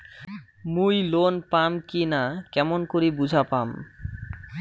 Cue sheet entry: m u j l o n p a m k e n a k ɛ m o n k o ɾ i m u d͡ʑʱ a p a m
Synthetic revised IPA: m u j l o n p a m k i n a k ɛ m o n k o ɾ i b u d͡ʑʱ a p a m